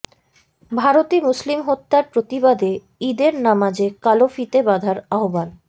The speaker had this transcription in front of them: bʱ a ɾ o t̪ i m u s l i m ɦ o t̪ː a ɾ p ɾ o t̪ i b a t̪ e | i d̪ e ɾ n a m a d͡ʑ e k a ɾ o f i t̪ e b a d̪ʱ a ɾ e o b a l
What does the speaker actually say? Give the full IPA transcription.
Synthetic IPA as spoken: bʱ a ɾ o t̪ i m u s l i m ɦ o t̪ː a ɾ p ɾ o t̪ i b a d̪ e | i d̪ e ɾ n a m a d͡ʑ e k a l o f i t̪ e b a d̪ʱ a ɾ a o b a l